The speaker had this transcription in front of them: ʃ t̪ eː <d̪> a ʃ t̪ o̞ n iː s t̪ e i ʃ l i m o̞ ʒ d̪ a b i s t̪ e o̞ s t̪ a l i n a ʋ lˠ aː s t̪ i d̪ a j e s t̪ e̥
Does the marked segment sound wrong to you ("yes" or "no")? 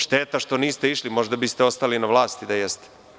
yes